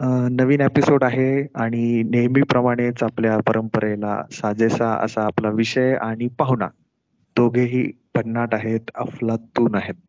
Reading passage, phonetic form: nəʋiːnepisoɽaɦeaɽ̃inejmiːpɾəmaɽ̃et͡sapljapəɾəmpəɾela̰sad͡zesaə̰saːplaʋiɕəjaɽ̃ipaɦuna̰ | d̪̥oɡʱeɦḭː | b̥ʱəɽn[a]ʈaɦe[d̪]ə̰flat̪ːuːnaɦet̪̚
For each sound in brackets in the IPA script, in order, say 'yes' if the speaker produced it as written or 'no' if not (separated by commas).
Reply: yes, no